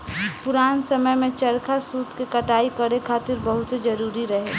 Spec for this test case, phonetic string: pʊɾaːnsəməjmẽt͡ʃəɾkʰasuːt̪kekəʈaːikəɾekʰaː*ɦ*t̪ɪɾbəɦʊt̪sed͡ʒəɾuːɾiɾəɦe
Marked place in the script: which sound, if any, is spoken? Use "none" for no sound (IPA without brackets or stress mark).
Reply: none